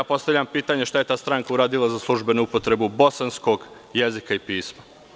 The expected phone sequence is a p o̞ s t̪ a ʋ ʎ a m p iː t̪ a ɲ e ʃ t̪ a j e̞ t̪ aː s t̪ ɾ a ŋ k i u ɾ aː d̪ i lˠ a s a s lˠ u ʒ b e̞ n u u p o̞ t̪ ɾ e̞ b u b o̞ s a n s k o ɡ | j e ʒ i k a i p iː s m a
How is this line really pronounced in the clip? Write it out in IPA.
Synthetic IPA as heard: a p o̞ s t̪ a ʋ ʎ a m p iː t̪ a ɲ e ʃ t̪ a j e̞ t̪ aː s t̪ ɾ a ŋ k a u ɾ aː d̪ i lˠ a z a s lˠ u ʒ b e̞ n u u p o̞ t̪ ɾ e̞ b u b o̞ s a n s k o ɡ | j e z i k a i p iː s m a